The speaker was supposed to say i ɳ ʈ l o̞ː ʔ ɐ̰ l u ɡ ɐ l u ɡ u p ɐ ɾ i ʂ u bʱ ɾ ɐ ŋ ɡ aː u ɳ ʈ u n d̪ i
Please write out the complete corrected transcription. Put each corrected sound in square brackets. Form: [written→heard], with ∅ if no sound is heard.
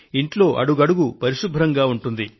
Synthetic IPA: i ɳ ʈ l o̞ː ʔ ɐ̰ [l→ɽ] u ɡ ɐ [l→ɽ] u ɡ u p ɐ ɾ i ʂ u bʱ ɾ ɐ ŋ ɡ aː u ɳ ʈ u n d̪ i